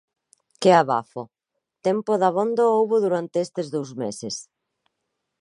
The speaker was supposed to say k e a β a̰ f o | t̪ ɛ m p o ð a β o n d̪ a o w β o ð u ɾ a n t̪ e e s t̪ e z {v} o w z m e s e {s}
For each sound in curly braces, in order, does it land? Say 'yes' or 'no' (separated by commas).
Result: no, yes